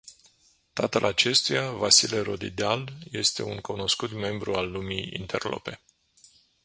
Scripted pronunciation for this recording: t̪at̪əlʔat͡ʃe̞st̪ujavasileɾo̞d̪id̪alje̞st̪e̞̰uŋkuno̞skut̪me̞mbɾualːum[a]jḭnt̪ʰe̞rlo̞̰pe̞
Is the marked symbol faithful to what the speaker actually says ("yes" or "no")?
no